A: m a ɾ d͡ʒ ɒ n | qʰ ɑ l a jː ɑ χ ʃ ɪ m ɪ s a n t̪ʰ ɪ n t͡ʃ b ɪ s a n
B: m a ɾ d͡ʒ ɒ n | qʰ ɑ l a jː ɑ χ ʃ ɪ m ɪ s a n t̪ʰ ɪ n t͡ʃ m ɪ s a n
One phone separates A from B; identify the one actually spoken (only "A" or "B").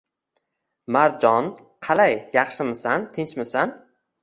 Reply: B